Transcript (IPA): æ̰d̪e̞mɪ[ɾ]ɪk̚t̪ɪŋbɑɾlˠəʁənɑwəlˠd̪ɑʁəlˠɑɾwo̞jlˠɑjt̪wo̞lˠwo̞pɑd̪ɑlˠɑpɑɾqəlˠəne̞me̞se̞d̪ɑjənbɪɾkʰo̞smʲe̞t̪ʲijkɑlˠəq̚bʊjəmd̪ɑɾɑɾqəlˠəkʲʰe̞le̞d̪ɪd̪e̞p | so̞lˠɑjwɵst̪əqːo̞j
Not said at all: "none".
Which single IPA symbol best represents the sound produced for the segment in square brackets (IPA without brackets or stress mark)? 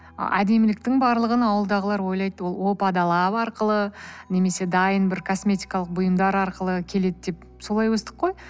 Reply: l